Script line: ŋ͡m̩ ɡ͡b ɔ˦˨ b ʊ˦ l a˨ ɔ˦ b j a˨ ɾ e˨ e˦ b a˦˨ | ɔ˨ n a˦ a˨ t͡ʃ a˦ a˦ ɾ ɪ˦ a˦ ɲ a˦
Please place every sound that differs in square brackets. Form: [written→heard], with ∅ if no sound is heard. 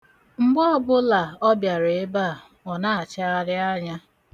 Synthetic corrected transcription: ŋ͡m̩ ɡ͡b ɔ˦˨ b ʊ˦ l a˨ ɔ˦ b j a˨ ɾ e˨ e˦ b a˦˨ | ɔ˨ n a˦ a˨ t͡ʃ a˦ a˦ ɾ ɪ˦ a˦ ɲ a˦